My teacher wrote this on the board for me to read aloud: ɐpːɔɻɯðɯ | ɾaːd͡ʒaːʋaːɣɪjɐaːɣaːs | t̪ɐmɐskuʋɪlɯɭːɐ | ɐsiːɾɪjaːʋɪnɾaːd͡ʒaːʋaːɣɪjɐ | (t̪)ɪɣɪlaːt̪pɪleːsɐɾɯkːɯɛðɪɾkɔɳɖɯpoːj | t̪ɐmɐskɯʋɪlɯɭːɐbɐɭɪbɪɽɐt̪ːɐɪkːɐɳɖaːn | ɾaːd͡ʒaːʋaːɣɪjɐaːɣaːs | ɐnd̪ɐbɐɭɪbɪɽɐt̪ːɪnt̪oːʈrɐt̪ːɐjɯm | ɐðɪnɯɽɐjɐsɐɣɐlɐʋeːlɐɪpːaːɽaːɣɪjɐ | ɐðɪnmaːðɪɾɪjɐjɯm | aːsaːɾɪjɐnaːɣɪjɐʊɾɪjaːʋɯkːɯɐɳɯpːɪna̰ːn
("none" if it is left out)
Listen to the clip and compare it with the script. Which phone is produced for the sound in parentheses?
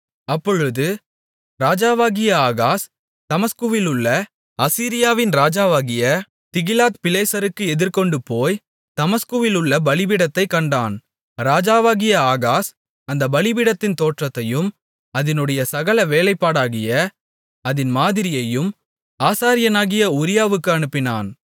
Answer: t̪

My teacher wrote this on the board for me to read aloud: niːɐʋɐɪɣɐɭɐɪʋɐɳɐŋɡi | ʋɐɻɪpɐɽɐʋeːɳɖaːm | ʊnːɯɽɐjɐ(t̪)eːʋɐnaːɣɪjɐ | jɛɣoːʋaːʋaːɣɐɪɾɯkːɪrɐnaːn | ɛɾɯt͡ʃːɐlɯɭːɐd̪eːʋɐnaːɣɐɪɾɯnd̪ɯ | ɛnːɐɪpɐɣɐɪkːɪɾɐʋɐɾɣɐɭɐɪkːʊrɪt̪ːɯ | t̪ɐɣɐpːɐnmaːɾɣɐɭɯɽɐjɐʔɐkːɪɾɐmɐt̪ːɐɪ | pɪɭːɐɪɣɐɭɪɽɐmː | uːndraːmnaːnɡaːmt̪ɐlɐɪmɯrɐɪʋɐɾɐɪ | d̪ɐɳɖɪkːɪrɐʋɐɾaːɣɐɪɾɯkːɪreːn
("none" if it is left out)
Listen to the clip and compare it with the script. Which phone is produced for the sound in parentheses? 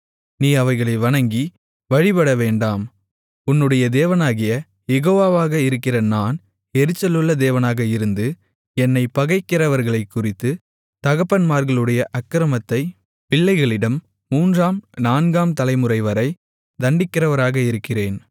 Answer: d̪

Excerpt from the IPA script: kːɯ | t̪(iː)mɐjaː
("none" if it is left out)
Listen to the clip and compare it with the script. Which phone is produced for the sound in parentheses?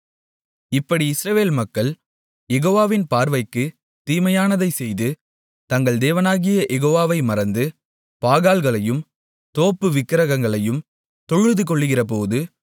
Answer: iː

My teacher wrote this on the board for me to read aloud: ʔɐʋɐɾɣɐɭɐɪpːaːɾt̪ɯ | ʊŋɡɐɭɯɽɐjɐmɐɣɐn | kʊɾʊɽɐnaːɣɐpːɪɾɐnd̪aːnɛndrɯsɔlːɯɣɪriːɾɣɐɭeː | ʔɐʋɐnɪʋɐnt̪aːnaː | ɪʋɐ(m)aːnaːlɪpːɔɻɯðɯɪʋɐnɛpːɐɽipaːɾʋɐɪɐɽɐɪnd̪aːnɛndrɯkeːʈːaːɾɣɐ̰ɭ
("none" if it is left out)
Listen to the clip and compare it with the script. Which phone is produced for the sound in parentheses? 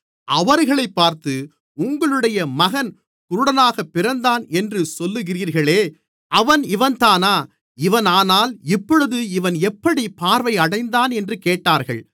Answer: n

